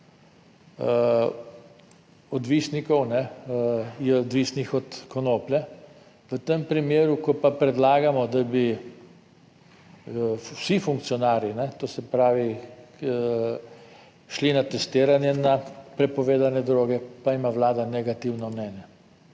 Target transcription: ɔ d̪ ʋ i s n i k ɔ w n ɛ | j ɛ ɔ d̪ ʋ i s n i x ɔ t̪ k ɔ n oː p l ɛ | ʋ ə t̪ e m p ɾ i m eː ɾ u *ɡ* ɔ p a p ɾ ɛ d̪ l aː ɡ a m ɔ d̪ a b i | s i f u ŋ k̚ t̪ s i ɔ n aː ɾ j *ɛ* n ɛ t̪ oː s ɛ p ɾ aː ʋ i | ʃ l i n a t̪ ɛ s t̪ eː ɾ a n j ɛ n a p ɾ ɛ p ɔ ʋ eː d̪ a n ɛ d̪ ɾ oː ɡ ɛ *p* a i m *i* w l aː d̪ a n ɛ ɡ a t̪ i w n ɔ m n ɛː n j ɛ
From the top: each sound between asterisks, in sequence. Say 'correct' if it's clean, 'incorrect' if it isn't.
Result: incorrect: k, incorrect: i, correct, incorrect: a

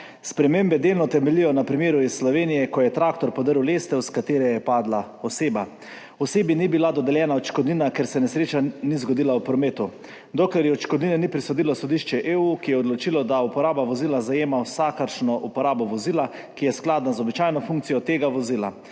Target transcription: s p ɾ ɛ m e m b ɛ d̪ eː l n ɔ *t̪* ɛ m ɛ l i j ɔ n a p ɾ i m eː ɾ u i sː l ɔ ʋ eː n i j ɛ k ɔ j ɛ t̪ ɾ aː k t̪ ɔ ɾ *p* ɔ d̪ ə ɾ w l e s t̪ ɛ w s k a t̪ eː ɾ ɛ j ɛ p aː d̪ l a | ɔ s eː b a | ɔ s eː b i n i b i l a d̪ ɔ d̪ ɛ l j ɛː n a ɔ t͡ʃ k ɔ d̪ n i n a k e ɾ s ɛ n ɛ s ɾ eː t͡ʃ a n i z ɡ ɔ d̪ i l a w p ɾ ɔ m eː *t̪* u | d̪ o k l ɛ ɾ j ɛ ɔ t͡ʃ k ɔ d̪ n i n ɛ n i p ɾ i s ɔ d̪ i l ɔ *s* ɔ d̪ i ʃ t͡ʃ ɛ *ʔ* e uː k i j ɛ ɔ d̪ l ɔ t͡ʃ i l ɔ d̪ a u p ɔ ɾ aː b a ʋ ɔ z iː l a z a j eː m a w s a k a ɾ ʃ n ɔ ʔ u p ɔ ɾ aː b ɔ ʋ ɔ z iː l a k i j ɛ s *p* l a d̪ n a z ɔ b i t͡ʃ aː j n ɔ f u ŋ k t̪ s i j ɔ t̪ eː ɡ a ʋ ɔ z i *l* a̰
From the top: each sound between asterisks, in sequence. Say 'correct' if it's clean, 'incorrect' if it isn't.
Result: correct, correct, correct, correct, correct, incorrect: k, correct

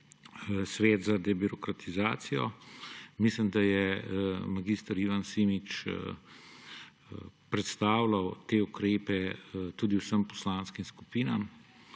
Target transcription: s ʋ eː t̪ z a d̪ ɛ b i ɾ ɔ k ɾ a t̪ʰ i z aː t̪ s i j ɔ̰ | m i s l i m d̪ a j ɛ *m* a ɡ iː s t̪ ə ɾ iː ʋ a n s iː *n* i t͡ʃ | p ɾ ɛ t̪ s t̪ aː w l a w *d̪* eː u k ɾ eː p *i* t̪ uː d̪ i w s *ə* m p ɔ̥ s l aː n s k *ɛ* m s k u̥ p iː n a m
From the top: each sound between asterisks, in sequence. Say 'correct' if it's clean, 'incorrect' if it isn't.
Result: correct, incorrect: m, incorrect: t̪, incorrect: ɛ, correct, incorrect: i

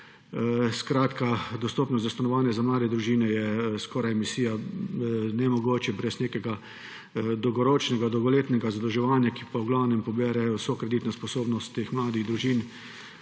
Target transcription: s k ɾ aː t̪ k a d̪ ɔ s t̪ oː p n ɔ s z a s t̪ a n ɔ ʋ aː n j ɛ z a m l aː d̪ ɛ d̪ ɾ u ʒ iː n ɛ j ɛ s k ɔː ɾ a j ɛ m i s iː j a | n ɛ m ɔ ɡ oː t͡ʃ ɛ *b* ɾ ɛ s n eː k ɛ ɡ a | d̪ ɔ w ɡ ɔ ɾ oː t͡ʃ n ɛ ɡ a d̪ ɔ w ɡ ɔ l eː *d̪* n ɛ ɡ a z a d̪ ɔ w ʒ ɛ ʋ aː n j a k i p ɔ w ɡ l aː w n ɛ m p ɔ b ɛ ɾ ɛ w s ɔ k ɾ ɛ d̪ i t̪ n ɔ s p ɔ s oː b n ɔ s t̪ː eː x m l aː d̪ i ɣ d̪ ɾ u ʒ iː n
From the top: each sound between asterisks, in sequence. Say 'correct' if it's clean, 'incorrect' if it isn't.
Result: correct, incorrect: t̪

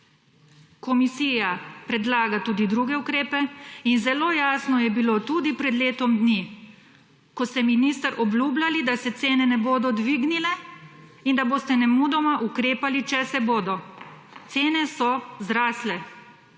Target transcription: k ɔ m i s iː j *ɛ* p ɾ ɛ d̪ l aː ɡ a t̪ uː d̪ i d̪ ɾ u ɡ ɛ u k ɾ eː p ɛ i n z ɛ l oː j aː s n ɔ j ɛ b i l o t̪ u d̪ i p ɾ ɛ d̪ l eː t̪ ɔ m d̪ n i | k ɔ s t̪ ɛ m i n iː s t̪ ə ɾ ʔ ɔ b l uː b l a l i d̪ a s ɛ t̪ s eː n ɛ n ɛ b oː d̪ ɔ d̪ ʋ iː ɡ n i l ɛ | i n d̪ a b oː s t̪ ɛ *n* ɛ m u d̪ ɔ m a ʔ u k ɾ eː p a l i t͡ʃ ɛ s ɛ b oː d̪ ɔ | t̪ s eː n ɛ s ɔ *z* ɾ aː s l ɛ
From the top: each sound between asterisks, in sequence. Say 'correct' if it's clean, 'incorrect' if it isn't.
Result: incorrect: a, correct, correct

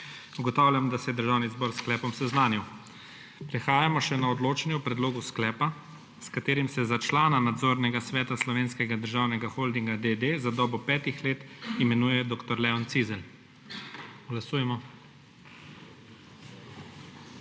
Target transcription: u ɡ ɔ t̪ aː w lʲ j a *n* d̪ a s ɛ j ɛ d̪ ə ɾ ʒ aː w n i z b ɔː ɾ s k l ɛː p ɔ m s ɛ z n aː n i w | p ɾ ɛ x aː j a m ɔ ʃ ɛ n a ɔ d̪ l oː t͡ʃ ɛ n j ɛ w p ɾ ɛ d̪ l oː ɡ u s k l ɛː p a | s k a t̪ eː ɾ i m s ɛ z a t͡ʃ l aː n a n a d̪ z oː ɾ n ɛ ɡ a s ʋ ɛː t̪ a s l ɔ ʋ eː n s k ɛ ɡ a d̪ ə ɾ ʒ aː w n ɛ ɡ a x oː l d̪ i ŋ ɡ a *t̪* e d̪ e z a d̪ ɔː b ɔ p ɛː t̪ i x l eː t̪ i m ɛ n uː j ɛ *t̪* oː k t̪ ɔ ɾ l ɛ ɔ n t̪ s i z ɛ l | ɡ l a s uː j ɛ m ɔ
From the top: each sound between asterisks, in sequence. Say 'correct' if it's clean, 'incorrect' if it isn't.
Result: incorrect: m, incorrect: d̪, incorrect: d̪

